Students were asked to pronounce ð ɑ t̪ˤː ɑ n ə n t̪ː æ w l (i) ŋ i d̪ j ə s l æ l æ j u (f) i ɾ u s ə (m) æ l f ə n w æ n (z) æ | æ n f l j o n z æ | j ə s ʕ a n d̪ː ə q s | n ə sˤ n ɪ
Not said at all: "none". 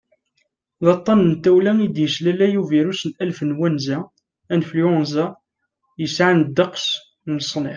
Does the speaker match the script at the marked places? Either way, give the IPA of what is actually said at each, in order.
æ, v, n, z

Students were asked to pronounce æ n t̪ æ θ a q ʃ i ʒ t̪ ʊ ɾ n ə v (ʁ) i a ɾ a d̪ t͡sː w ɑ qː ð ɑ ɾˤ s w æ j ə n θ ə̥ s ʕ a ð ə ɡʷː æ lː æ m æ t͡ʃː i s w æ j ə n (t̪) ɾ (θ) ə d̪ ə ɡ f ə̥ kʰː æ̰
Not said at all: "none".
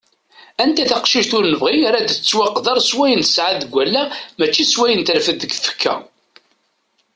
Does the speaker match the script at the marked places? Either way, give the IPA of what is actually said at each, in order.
ʁ, t̪, f

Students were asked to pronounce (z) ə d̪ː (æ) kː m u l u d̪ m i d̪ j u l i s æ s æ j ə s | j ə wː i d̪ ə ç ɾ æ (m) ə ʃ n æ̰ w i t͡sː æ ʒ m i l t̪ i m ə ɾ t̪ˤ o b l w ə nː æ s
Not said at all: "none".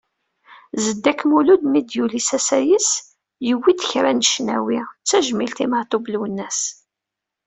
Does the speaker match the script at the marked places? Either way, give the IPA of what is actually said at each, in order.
z, æ, n

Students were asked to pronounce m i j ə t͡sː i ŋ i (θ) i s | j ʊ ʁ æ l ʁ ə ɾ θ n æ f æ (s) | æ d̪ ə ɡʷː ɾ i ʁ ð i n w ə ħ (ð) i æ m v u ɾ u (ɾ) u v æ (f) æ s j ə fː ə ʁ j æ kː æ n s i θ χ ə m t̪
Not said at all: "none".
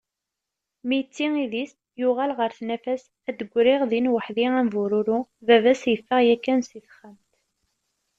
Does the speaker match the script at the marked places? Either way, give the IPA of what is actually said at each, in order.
ð, s, ð, ɾ, v

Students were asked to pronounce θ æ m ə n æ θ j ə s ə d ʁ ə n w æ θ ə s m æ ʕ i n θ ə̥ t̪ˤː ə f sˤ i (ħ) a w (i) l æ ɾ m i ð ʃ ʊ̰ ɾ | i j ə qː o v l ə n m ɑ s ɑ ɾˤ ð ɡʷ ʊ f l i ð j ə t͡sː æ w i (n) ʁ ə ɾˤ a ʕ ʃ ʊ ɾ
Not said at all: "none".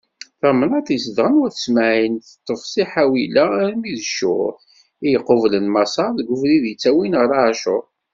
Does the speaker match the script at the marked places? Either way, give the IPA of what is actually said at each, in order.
ħ, i, n

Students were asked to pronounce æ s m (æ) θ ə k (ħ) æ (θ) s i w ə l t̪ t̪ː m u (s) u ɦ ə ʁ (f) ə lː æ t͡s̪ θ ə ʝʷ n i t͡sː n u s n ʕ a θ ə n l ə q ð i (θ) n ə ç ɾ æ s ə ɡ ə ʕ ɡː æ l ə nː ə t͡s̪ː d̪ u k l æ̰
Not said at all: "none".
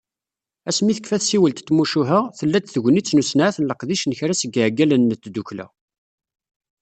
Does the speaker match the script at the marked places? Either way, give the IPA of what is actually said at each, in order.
i, f, θ, ʃ, θ, ʃ

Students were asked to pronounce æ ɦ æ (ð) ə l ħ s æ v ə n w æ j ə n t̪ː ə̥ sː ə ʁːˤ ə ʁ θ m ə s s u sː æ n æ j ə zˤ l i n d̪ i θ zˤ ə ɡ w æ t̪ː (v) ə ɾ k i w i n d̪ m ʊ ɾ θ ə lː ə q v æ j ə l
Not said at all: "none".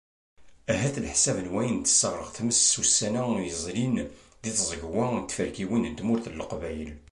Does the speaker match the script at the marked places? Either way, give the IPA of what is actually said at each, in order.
θ, f

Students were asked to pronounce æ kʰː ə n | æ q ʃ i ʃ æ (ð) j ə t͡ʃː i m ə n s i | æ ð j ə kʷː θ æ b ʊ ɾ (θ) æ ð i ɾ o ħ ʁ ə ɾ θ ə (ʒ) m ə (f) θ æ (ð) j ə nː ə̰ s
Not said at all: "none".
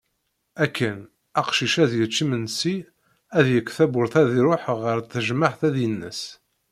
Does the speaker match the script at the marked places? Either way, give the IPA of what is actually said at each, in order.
ð, θ, ʒ, ħ, ð

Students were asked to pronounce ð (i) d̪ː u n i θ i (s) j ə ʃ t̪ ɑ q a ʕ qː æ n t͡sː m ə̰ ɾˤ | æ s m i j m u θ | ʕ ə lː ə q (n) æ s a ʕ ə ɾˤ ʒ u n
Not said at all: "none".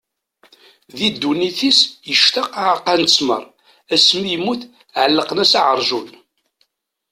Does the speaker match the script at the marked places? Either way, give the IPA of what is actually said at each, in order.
i, s, n

